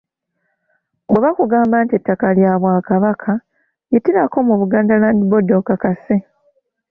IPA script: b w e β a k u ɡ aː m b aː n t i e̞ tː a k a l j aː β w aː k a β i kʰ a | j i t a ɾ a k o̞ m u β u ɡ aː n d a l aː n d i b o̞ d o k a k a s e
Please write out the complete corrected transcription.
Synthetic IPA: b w e β a k u ɡ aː m b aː n t i e̞ tː a k a l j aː β w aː k a β a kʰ a | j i t i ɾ a k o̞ m u β u ɡ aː n d a l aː n d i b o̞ d o k a k a s e